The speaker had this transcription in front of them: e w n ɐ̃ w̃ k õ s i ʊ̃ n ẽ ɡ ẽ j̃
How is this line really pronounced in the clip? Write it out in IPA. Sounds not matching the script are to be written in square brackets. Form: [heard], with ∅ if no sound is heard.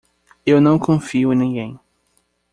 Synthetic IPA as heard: e w n ɐ̃ w̃ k õ [f] i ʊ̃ n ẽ ɡ ẽ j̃